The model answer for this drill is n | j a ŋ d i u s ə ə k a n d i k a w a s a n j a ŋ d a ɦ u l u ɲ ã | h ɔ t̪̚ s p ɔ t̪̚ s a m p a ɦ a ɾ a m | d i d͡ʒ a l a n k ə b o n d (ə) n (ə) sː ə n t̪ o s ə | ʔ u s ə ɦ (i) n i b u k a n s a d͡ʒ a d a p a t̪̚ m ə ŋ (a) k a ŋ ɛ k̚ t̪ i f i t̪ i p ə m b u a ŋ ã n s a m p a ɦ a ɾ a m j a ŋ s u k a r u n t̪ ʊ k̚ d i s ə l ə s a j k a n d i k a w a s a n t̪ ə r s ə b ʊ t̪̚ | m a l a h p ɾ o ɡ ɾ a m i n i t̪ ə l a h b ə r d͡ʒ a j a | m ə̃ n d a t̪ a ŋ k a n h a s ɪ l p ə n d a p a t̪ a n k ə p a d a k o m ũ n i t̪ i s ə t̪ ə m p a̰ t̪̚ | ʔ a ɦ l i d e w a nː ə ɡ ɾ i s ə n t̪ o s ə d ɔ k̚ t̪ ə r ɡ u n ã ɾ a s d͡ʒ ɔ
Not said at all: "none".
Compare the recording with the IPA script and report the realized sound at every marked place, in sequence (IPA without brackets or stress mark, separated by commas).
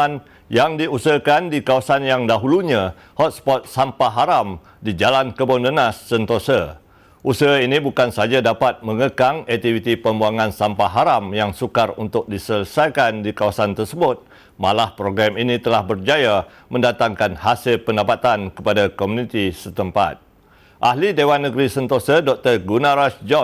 ə, a, i, ə